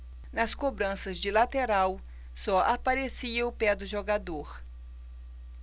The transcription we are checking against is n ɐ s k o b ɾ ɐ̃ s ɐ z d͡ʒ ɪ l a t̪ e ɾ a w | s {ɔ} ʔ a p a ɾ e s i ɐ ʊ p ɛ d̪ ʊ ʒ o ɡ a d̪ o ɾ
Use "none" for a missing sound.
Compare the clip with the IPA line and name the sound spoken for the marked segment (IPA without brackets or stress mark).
ɔ